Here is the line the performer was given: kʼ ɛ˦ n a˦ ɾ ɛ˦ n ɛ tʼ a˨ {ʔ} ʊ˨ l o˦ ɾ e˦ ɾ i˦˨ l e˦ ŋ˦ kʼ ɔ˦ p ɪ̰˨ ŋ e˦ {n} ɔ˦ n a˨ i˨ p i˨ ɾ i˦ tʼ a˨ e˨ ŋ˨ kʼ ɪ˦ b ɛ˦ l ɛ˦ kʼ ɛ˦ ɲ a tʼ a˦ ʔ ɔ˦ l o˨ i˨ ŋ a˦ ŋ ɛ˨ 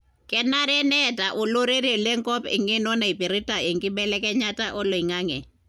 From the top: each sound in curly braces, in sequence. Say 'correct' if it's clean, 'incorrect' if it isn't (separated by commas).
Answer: correct, correct